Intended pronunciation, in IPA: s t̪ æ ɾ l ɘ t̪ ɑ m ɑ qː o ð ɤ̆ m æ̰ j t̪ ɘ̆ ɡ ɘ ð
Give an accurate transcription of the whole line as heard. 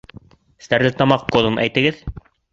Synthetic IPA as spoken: s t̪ æ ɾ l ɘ t̪ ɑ m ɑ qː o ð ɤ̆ m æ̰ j t̪ ɘ̆ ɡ ɘ ð